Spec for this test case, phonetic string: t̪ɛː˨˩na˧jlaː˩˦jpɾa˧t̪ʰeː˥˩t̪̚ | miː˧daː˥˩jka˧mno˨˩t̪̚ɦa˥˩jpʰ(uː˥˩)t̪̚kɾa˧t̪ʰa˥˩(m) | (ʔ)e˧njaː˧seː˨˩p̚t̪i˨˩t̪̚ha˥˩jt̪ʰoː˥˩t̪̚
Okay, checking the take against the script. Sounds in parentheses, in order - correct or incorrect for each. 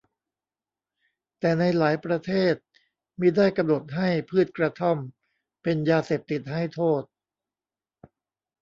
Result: incorrect, correct, incorrect

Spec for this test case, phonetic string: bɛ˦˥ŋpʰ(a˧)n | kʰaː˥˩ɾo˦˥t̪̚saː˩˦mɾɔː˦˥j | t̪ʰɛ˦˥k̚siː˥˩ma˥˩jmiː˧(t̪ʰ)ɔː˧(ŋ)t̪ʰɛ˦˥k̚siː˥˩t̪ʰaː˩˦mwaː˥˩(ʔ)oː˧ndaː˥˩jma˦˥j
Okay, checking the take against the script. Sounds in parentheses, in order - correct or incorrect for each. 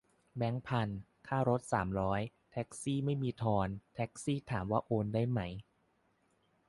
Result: correct, correct, incorrect, correct

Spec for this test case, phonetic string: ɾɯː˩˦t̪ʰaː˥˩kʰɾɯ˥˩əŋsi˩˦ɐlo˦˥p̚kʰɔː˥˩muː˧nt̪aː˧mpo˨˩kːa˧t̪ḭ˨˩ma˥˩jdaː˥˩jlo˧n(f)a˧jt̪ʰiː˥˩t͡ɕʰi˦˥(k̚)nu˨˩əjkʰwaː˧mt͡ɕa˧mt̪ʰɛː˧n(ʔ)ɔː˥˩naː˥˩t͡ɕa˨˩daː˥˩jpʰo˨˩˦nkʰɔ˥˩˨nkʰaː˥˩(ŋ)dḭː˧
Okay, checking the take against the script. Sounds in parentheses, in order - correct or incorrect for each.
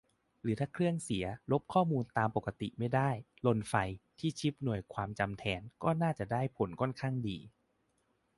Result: correct, incorrect, incorrect, correct

